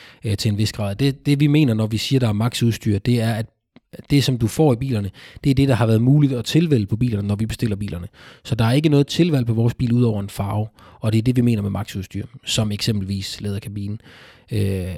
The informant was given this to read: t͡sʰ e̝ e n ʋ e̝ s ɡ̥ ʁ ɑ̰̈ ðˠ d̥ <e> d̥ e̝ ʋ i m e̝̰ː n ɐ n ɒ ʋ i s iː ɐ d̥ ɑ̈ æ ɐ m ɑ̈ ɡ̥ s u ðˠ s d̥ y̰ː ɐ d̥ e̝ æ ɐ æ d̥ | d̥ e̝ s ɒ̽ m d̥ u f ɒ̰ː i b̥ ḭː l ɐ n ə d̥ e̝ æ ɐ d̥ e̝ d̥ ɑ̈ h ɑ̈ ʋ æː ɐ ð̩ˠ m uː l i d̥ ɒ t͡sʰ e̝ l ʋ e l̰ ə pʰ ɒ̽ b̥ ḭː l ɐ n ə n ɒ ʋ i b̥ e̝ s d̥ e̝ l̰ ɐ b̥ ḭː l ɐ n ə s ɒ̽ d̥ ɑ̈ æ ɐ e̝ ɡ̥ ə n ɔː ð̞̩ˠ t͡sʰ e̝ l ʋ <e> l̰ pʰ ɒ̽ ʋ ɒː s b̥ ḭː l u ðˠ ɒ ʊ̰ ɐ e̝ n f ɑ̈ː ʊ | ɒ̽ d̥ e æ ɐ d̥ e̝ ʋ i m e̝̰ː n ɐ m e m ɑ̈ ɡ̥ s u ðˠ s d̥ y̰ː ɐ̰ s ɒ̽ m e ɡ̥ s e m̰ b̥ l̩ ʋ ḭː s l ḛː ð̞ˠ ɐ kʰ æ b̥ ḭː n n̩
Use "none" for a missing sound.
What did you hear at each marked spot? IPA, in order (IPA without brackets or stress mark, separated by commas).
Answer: e, æ